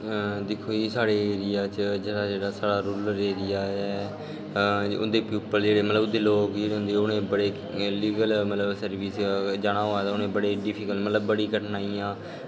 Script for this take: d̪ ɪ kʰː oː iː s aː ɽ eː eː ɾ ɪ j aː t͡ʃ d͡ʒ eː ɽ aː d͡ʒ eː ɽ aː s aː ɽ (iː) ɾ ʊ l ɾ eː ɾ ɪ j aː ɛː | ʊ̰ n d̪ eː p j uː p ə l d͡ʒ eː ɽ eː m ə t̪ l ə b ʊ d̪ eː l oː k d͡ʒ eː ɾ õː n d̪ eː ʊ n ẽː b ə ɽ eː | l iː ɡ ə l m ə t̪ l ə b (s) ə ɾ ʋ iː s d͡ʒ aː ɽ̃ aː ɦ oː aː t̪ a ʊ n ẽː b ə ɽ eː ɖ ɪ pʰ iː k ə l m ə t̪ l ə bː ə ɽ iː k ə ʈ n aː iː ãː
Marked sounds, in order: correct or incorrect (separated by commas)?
incorrect, correct